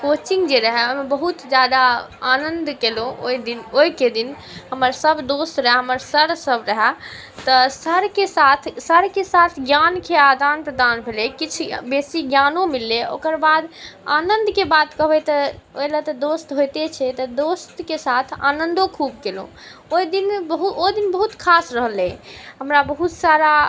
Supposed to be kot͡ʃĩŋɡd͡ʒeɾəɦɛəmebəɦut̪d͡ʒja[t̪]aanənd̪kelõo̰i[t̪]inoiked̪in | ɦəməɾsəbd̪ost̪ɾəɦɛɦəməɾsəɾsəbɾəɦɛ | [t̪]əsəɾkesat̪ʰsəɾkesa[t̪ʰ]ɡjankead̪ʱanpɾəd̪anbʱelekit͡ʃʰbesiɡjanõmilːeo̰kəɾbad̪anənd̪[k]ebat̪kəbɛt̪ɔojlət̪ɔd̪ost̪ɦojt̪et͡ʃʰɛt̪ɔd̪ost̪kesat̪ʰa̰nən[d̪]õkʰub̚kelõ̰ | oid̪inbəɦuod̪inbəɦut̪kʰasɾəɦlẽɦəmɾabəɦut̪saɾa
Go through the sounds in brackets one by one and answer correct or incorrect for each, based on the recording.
incorrect: d̪, incorrect: d̪, correct, correct, correct, correct

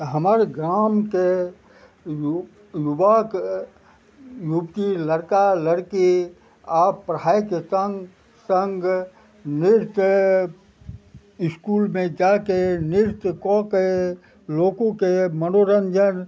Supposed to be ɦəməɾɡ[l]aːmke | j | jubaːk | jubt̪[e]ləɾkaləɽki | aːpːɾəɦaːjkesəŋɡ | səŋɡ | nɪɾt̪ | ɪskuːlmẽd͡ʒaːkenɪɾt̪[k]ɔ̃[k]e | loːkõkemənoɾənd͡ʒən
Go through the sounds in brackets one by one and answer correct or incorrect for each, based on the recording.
incorrect: ɾ, incorrect: i, correct, correct

